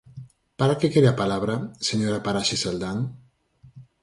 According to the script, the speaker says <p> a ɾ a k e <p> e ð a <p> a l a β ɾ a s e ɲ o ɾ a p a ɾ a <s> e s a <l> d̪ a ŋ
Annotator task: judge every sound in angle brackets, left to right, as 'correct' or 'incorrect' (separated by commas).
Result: correct, incorrect, correct, incorrect, correct